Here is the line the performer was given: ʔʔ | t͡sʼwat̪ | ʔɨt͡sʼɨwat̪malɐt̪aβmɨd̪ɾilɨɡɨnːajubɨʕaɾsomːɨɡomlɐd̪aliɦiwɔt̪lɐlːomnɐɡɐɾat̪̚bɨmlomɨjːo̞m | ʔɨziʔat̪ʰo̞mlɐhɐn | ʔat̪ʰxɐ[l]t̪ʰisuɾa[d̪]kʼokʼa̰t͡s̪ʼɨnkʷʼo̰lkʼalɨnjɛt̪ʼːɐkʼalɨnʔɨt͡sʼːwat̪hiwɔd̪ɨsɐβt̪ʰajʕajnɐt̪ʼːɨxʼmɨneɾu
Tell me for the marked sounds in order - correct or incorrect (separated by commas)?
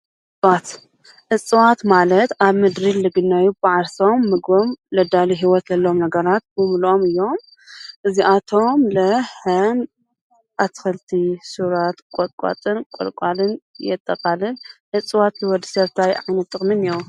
correct, incorrect